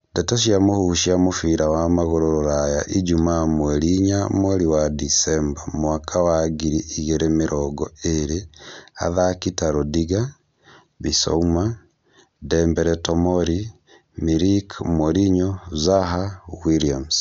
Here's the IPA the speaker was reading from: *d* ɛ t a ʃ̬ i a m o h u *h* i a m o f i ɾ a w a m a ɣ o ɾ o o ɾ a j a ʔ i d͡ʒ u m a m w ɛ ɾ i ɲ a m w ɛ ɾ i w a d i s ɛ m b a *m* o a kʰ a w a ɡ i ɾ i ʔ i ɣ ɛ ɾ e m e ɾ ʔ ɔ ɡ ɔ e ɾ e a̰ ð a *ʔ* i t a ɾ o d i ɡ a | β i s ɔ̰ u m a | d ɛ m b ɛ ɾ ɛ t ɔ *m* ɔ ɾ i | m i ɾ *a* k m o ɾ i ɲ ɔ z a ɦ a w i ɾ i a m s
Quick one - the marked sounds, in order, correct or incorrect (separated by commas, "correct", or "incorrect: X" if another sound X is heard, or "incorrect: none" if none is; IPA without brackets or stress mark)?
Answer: correct, incorrect: ʃ, correct, incorrect: k, correct, incorrect: i